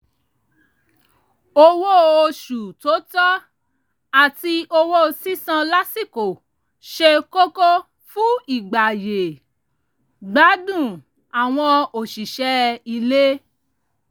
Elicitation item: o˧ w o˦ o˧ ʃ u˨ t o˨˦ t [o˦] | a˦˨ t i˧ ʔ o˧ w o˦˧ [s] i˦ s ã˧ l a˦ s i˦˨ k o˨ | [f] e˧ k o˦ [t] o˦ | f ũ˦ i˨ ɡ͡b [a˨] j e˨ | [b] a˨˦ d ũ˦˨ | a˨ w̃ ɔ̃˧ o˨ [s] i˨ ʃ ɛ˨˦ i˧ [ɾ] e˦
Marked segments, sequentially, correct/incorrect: incorrect, correct, incorrect, incorrect, correct, incorrect, incorrect, incorrect

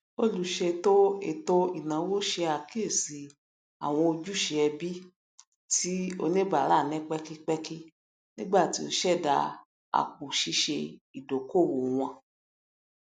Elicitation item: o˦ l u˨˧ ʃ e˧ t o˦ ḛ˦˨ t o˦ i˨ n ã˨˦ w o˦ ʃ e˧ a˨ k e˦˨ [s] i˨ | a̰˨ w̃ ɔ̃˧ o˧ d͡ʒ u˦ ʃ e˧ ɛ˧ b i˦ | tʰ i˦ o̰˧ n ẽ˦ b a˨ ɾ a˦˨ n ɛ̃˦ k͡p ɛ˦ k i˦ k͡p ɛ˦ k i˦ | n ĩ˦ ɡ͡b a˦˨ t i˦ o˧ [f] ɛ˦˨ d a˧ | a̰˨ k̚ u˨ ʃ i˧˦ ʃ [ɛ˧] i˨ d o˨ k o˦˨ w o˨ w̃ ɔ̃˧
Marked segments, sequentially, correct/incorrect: correct, incorrect, incorrect

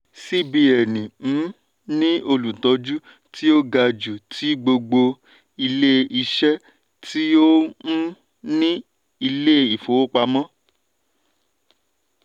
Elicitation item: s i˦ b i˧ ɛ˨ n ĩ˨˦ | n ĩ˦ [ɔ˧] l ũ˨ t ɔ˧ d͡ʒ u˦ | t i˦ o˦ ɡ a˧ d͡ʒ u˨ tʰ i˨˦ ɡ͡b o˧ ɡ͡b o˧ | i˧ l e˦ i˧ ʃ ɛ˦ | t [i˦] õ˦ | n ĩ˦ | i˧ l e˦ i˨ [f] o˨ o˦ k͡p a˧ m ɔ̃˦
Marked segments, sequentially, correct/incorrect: incorrect, correct, correct

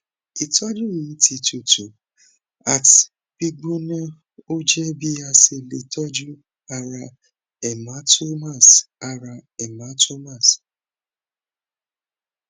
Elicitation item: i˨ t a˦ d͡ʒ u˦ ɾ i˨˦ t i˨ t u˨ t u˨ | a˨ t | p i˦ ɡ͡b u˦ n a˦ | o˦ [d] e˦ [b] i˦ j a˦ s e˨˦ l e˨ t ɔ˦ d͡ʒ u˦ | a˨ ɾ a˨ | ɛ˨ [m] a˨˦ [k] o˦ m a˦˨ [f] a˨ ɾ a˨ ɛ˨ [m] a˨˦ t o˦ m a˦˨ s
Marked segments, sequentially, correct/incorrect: incorrect, correct, correct, incorrect, incorrect, correct

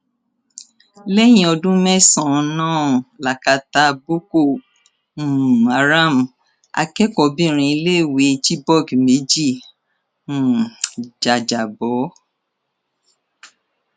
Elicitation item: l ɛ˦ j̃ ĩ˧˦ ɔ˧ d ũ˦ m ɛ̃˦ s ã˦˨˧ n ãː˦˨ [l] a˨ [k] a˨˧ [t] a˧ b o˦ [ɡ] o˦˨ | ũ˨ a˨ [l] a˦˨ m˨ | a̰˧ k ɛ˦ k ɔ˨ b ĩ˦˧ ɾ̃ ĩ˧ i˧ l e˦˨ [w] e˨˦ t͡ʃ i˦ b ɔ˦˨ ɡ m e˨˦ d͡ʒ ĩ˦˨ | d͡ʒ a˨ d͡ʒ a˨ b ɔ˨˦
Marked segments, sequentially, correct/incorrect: correct, correct, correct, incorrect, incorrect, correct

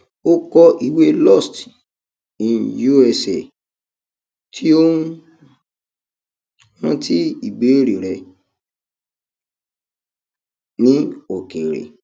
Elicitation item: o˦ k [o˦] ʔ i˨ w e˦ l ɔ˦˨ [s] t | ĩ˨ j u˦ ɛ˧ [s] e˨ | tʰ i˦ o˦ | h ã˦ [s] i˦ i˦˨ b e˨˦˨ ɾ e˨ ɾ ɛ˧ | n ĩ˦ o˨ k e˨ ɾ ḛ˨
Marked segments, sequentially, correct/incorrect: incorrect, correct, correct, incorrect

